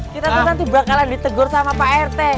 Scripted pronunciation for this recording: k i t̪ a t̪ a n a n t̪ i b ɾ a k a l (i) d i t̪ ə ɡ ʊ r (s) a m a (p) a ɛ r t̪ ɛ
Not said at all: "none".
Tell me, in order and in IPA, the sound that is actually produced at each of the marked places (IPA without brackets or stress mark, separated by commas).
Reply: a, s, p